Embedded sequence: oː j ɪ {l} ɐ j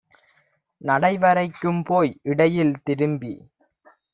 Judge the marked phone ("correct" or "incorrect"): incorrect